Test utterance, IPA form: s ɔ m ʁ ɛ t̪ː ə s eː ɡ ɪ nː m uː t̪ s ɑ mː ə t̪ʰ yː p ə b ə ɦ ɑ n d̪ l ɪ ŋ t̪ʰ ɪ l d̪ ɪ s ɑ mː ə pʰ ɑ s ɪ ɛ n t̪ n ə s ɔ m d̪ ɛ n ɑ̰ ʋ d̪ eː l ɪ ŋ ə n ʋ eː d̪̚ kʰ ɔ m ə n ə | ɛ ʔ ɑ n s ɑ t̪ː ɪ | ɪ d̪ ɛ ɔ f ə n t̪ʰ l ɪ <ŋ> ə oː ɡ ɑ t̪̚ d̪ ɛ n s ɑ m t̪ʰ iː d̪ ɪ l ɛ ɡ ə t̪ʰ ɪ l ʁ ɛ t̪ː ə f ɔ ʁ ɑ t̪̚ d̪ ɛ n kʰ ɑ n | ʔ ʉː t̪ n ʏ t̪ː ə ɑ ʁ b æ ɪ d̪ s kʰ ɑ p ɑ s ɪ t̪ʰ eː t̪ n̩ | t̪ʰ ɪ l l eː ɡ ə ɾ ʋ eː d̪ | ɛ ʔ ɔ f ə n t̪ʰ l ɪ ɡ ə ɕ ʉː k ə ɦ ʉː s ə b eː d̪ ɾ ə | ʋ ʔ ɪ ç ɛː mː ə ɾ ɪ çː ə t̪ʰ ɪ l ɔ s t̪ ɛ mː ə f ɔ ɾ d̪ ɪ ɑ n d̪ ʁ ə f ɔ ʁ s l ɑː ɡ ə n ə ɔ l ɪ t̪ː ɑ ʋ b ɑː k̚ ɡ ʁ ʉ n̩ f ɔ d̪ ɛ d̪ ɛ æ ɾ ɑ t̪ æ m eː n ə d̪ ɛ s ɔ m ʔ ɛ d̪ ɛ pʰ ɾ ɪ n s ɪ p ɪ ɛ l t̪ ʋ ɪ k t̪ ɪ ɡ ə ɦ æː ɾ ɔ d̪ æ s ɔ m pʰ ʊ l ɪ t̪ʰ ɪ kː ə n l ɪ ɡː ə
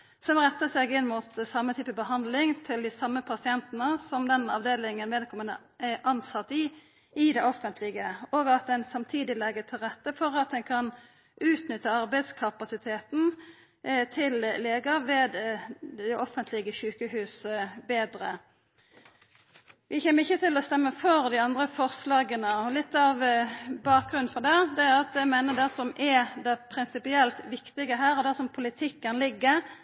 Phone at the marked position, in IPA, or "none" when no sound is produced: ɡ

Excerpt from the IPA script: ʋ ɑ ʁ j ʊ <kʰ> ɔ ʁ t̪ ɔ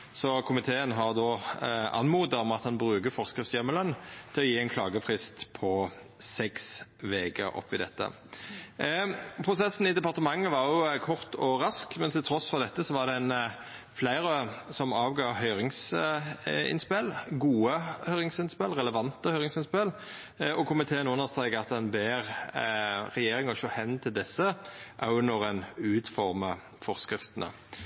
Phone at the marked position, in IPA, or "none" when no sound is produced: kʰ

